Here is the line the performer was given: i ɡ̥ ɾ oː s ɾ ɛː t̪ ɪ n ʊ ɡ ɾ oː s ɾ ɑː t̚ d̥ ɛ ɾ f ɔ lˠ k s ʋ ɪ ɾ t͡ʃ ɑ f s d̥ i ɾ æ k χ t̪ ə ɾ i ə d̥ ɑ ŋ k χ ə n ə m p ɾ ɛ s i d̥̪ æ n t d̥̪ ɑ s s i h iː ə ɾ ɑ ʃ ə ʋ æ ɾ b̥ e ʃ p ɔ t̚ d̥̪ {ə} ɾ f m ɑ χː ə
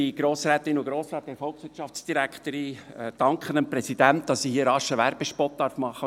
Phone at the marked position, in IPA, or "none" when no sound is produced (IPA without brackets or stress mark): ɑ